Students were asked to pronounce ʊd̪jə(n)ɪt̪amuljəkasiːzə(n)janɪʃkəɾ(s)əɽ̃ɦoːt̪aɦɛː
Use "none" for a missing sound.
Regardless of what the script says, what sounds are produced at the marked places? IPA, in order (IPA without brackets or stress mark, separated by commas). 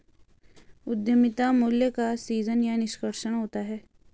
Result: m, n, ʃ